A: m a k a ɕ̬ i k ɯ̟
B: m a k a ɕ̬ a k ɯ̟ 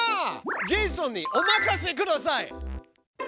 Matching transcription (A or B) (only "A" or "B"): A